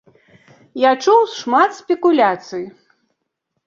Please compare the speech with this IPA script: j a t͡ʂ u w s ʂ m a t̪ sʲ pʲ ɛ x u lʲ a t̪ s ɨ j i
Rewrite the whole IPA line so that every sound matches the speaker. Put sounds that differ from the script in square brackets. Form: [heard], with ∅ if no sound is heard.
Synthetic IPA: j a t͡ʂ u w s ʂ m a t̪ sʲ pʲ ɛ [k] u lʲ a t̪ s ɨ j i